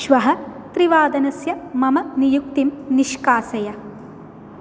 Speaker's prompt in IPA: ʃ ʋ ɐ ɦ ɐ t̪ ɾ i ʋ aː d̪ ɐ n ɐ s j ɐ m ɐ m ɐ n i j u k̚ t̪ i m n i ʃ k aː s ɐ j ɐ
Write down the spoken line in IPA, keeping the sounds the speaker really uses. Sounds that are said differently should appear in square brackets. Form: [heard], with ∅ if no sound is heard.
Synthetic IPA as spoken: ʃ ʋ ɐ ɦ ɐ t̪ ɾ i ʋ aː d̪ ɐ n ɐ s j ɐ m ɐ m ɐ n i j u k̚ t̪ i m n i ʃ k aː s ɐ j ɐ

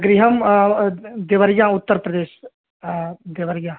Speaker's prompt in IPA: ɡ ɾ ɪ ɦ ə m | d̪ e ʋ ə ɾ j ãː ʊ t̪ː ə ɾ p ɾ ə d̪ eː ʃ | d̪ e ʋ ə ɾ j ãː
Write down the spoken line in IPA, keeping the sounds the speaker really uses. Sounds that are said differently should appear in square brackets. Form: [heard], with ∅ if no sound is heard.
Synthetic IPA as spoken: ɡ ɾ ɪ ɦ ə m | d̪ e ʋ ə ɾ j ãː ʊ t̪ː ə ɾ p ɾ ə d̪ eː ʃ | d̪ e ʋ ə ɾ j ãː

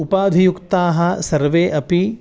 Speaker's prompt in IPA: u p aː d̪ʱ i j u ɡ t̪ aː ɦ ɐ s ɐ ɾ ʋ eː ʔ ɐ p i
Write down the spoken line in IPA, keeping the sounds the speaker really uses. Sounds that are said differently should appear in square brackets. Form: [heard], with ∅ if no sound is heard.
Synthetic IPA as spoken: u p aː d̪ʱ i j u [k] t̪ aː ɦ ɐ s ɐ ɾ ʋ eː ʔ ɐ p i

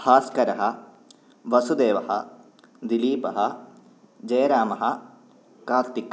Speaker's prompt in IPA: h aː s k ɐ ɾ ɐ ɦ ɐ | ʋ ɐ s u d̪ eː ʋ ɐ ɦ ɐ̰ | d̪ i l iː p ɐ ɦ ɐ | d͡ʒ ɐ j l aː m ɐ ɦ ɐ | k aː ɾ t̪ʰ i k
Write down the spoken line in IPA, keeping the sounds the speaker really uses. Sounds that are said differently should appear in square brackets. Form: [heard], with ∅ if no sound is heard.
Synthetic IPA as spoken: h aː s k ɐ ɾ ɐ ɦ ɐ | ʋ ɐ s u d̪ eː ʋ ɐ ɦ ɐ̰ | d̪ i l iː p ɐ ɦ ɐ | d͡ʒ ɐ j [ɾ] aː m ɐ ɦ ɐ | k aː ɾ [t̪] i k

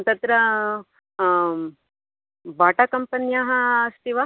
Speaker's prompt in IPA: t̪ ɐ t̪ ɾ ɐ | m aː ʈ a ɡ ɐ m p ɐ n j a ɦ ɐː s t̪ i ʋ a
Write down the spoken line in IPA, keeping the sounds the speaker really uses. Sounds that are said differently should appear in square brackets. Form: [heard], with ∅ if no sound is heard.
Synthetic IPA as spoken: t̪ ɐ t̪ ɾ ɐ | [b] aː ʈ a [k] ɐ m p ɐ n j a ɦ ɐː s t̪ i ʋ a

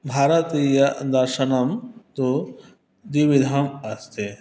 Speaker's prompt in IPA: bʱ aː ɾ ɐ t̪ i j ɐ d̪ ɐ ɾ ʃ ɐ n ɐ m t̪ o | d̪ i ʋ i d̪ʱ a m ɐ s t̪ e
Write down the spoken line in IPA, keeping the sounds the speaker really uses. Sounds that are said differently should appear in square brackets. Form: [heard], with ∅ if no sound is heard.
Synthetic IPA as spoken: bʱ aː ɾ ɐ t̪ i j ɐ d̪ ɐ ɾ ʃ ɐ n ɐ m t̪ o | d̪ i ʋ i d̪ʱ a m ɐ s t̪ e

